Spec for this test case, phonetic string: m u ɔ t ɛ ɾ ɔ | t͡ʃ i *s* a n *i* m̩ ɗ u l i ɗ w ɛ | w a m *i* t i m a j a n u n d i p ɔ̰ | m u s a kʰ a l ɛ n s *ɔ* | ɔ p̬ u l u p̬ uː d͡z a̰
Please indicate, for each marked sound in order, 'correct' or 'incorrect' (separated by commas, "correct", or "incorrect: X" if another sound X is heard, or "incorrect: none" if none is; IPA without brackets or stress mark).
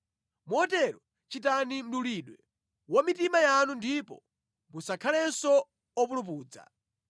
incorrect: t, correct, correct, correct